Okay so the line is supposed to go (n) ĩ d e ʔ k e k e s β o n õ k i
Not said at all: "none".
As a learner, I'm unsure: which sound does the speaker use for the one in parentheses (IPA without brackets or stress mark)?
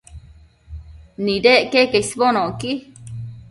n